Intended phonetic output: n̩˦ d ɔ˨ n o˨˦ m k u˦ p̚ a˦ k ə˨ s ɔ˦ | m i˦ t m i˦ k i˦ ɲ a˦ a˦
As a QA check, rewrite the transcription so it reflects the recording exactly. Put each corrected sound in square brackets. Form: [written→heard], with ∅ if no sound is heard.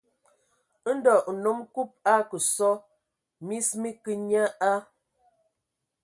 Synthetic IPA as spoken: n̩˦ d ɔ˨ n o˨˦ m k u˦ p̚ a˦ k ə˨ s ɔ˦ | m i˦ [t→s] m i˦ k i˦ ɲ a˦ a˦